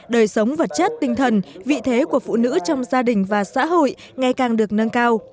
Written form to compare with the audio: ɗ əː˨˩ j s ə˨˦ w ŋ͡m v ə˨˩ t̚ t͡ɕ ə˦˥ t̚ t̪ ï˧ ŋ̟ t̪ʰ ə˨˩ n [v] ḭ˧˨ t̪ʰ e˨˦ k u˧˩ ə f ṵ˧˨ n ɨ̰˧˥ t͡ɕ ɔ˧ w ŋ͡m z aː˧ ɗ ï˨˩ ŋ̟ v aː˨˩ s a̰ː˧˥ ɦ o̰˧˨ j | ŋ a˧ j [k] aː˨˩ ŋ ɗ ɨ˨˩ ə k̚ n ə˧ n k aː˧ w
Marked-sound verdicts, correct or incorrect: correct, correct

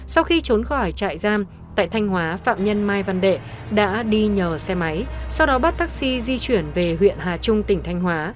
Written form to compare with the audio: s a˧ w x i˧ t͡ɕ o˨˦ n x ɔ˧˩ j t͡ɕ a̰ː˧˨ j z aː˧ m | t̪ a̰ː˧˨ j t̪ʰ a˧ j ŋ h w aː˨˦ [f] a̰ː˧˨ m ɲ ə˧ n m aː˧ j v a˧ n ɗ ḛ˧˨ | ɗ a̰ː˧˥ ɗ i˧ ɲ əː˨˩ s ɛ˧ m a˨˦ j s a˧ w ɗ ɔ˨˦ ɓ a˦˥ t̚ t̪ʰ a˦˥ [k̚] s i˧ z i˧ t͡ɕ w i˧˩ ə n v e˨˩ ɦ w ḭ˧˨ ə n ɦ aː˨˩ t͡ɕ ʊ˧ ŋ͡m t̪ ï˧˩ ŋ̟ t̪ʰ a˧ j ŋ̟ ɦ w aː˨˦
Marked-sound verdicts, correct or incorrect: correct, correct

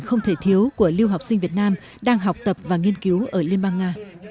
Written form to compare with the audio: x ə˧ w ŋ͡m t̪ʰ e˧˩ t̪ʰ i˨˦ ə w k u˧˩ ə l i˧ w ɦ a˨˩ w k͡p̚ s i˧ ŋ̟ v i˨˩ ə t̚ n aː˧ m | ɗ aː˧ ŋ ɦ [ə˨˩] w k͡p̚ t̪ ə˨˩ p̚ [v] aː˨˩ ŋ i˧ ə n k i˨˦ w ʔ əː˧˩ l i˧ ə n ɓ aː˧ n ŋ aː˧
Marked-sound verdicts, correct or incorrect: incorrect: a˨˩, correct

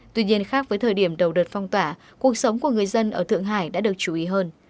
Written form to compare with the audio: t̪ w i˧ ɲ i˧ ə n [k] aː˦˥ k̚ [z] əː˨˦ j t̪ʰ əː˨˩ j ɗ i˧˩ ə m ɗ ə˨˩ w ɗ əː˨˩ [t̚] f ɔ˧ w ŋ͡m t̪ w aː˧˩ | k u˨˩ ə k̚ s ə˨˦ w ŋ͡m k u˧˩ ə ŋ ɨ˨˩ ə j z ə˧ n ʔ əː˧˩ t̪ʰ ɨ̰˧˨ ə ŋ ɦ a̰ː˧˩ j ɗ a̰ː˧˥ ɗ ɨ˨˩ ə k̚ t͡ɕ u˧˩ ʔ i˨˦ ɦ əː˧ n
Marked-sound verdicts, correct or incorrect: incorrect: x, incorrect: v, correct

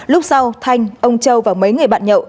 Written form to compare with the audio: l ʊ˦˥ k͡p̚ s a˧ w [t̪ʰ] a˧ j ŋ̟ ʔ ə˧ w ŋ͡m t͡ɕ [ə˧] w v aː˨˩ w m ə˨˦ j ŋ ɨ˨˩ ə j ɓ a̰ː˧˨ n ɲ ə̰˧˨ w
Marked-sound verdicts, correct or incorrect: correct, correct

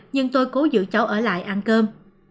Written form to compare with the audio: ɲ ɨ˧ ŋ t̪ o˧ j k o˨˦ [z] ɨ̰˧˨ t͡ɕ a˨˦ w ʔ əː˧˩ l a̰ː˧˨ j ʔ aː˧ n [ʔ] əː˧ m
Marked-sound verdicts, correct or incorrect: correct, incorrect: k

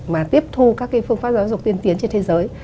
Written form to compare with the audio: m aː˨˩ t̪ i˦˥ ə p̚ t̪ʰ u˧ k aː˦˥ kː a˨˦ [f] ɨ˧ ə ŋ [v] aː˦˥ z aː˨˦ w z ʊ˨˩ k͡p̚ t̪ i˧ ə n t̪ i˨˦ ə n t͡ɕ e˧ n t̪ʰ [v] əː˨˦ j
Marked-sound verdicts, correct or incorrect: correct, incorrect: f, incorrect: z

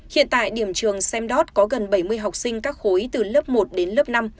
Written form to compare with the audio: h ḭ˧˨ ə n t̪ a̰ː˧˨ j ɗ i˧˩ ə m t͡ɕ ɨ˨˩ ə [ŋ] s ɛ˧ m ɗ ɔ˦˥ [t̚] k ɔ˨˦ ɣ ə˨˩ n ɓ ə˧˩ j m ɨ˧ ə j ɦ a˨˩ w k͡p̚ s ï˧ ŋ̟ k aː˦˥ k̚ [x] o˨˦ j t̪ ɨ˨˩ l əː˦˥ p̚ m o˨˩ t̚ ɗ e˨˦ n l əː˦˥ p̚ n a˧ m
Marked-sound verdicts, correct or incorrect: correct, correct, correct

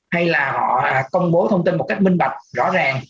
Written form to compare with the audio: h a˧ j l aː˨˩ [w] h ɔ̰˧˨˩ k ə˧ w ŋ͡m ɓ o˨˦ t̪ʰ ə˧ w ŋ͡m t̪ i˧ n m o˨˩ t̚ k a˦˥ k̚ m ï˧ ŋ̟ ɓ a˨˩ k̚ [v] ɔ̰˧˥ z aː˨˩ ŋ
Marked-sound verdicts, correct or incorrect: incorrect: none, incorrect: z

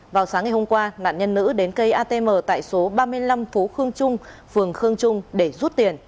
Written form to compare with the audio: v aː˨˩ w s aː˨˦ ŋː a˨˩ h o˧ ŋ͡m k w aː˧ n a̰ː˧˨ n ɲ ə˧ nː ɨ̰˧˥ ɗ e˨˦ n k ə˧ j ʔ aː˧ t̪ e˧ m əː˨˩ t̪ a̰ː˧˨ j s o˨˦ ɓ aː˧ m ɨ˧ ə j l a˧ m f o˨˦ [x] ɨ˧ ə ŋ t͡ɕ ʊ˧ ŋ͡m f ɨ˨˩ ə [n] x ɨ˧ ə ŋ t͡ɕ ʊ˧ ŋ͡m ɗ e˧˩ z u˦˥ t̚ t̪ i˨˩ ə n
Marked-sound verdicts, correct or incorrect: correct, incorrect: ŋ

